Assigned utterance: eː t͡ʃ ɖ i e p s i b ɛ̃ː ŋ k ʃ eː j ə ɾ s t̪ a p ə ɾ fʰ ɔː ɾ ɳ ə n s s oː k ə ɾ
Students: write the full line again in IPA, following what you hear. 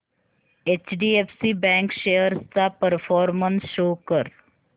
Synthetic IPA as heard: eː t͡ʃ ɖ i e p s i b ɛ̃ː ŋ k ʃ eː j ə ɾ s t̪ a p ə ɾ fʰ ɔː ɾ m ə n s ʃ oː k ə ɾ